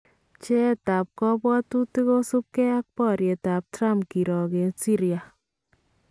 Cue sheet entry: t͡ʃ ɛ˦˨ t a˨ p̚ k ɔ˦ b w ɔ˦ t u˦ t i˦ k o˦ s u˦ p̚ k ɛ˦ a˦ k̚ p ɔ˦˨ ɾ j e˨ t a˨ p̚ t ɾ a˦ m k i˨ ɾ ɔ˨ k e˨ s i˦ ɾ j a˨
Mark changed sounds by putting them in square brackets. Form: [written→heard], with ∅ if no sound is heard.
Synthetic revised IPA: t͡ʃ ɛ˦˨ t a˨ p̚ k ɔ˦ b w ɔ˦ t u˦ t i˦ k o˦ s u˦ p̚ k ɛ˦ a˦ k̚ p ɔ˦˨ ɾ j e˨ t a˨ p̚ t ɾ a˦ m k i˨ ɾ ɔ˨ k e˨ s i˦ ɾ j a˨